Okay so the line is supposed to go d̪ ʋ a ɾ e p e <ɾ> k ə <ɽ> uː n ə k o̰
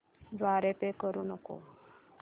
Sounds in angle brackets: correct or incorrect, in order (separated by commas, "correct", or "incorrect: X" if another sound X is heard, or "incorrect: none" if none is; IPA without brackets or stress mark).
incorrect: none, incorrect: ɾ